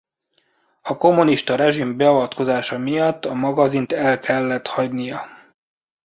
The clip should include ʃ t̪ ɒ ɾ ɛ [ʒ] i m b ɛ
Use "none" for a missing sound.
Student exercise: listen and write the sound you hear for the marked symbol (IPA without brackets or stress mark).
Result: ʒ